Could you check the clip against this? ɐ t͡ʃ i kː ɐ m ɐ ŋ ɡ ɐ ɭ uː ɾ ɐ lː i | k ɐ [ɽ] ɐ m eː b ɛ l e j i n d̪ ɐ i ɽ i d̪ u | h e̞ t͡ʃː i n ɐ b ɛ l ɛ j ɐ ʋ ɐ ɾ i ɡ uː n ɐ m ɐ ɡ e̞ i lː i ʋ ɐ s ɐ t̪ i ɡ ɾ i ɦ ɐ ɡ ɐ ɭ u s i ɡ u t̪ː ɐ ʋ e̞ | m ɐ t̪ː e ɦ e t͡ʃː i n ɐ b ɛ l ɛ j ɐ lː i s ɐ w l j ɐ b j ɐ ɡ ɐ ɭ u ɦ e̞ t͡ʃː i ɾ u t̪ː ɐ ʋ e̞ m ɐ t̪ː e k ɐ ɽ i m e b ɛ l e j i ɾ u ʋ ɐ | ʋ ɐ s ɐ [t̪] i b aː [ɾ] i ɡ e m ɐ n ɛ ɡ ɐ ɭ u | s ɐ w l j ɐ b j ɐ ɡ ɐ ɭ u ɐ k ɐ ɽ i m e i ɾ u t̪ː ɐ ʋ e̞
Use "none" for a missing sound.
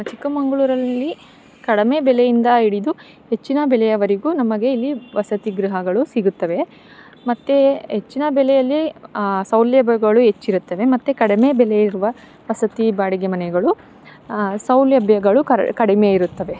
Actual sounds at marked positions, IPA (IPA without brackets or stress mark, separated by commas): ɽ, t̪, ɽ